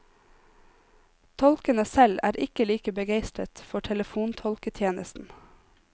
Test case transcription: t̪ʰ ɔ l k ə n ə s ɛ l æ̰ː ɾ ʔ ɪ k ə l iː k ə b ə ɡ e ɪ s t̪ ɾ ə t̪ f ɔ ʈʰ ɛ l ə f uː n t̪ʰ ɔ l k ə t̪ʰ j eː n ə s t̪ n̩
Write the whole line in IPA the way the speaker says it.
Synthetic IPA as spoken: t̪ʰ ɔ l k ə n ə s ɛ l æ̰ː ɾ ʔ ɪ k ə l iː k ə b ə ɡ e ɪ s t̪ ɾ ə t̪ f ɔ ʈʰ ɛ l ə f uː n t̪ʰ ɔ l k ə t̪ʰ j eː n ə s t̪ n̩